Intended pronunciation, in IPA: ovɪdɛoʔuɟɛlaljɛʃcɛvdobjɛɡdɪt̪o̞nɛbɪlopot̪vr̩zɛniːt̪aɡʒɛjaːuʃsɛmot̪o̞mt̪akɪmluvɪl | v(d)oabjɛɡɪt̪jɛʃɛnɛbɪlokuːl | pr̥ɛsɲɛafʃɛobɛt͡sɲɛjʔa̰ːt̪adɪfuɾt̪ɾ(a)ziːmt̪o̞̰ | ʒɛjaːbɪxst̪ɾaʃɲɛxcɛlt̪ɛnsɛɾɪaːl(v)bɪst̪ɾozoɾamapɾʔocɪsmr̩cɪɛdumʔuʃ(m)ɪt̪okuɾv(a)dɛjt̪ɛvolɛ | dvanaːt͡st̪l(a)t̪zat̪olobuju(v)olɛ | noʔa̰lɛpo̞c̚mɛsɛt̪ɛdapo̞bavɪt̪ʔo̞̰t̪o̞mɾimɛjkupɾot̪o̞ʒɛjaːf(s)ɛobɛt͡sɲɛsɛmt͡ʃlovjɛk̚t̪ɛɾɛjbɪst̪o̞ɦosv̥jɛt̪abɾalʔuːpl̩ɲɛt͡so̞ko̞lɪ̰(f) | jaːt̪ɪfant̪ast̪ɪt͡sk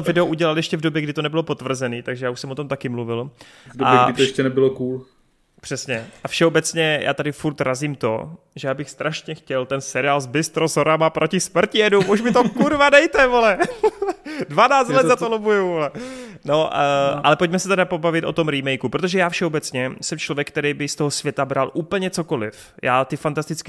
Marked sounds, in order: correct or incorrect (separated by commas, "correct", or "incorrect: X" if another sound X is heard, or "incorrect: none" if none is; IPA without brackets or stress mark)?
correct, correct, incorrect: z, correct, correct, incorrect: ɛ, correct, incorrect: ʃ, correct